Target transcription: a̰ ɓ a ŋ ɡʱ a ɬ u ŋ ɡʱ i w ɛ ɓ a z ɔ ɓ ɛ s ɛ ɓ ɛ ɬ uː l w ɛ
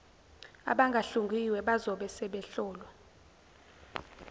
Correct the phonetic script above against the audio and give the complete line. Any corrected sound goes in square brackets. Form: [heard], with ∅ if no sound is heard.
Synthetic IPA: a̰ ɓ a ŋ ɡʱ a ɬ u ŋ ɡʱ i w ɛ ɓ a z ɔ ɓ ɛ s ɛ ɓ ɛ ɬ [ɔː] l w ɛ